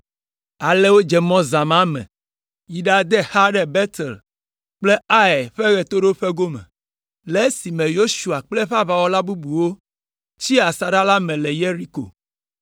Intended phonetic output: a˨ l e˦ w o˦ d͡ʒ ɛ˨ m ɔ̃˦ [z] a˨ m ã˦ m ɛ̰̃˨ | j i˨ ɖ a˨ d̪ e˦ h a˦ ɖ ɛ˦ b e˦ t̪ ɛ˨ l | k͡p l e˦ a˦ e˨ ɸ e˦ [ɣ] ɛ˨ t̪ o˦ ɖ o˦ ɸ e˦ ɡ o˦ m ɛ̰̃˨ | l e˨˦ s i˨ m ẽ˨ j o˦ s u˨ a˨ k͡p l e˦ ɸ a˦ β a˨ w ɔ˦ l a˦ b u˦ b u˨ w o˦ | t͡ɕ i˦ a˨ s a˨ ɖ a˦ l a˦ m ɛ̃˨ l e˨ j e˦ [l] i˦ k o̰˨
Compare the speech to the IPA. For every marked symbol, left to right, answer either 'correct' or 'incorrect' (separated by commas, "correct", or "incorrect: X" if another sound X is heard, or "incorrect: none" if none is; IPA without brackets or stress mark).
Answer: correct, correct, incorrect: ɾ